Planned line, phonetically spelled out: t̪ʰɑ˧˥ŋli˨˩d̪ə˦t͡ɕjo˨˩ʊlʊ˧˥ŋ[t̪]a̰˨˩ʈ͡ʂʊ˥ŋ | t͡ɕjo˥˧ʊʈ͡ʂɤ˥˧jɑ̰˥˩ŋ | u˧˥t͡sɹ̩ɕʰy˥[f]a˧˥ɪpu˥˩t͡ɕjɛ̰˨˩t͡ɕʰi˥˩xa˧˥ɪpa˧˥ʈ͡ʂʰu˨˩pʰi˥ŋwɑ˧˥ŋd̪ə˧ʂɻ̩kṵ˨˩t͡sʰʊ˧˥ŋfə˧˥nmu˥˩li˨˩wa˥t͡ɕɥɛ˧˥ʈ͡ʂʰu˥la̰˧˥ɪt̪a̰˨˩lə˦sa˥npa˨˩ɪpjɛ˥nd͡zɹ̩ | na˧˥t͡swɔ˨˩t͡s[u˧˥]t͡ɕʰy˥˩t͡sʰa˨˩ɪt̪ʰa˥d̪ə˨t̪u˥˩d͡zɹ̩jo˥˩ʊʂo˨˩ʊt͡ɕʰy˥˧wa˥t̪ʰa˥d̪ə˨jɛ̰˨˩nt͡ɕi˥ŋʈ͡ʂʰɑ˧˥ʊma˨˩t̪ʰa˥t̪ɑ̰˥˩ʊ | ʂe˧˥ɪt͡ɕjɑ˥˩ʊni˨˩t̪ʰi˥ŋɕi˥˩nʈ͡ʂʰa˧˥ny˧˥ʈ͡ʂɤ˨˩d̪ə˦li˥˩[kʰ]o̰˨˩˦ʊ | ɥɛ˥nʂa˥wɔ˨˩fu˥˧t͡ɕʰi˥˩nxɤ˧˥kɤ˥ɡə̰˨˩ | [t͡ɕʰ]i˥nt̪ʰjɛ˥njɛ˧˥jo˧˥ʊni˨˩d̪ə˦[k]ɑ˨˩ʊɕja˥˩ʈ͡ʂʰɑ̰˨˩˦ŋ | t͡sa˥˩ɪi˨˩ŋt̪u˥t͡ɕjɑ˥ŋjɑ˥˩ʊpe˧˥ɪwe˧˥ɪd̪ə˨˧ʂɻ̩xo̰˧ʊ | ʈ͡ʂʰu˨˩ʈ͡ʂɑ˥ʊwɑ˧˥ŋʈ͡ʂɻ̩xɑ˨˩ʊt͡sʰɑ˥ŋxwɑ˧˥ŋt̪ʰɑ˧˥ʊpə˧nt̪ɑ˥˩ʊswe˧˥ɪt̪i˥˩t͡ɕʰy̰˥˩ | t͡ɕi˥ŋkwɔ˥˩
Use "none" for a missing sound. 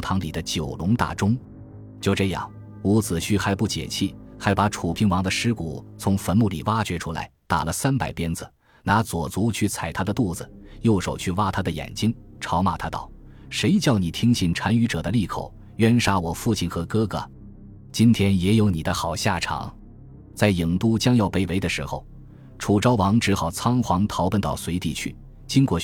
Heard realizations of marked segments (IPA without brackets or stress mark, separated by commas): t̪, x, u˧˥, kʰ, t͡ɕ, x